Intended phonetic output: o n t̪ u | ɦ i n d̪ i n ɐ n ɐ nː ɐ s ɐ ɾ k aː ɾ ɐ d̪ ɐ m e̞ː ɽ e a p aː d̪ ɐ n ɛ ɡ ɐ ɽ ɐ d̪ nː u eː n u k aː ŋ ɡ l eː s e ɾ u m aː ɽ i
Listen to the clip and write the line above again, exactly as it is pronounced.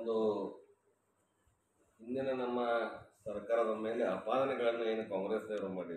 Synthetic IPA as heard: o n d̪ u | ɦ i n d̪ i n ɐ n ɐ mː ɐ s ɐ ɾ k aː ɾ ɐ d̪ ɐ m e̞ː l e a p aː d̪ ɐ n ɛ ɡ ɐ ɭ ɐ nː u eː n u k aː ŋ ɡ ɾ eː s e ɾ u m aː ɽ i